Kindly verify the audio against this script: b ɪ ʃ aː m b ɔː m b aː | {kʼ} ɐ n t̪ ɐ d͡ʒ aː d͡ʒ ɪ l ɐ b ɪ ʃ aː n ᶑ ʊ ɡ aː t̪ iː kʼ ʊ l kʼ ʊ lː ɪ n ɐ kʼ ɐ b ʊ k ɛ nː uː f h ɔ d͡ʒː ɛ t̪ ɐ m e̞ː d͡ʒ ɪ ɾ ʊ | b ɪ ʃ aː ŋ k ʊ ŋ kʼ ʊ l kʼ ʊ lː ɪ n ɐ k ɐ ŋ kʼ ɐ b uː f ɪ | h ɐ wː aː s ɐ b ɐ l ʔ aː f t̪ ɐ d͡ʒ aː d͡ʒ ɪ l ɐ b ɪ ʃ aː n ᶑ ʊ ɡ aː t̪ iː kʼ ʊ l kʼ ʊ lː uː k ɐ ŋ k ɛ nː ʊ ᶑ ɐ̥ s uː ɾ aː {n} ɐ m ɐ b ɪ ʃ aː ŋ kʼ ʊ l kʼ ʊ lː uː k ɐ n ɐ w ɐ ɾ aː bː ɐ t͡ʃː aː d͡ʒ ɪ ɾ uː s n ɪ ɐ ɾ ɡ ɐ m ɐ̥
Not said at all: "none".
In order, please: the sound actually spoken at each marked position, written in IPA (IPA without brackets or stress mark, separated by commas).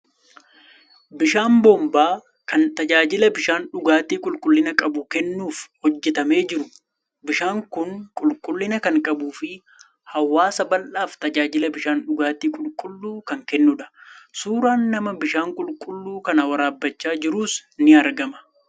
k, nː